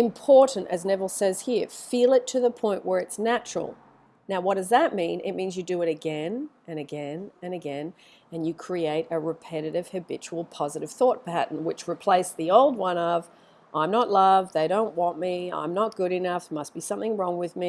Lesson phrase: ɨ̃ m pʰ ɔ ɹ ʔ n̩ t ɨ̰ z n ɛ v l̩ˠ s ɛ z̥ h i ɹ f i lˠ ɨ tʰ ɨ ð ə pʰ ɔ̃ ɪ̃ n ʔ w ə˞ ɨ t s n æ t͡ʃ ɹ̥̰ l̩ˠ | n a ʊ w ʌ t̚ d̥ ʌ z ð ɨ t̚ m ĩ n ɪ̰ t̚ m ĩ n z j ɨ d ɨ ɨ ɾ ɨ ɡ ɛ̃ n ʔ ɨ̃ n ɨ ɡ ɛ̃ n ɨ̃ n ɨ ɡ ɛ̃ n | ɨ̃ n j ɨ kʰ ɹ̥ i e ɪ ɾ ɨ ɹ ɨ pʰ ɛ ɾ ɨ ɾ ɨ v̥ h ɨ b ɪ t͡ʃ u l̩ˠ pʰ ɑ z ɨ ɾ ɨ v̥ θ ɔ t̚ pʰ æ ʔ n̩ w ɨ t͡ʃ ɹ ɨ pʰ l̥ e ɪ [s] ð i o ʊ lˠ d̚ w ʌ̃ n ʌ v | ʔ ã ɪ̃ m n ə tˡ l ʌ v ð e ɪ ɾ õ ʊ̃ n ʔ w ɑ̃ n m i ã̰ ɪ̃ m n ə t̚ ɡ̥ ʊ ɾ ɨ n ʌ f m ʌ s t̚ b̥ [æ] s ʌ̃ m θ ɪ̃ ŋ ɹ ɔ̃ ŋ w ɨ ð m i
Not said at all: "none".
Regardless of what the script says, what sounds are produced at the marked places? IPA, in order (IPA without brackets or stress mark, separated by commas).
s, i